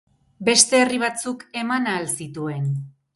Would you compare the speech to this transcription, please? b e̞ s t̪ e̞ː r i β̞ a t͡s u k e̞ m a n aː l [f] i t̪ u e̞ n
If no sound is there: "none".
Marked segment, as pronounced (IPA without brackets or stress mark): s